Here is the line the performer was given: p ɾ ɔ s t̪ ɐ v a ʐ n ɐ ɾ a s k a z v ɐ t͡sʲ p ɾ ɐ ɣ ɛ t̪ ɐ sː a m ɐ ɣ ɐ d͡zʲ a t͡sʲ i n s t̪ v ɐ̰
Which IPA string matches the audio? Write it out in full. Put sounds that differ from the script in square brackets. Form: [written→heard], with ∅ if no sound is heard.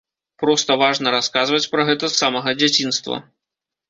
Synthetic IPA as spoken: p ɾ ɔ s t̪ ɐ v a ʐ n ɐ ɾ a s k a z v ɐ t͡sʲ p ɾ ɐ ɣ ɛ t̪ ɐ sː a m ɐ ɣ ɐ d͡zʲ a t͡sʲ i n s t̪ v ɐ̰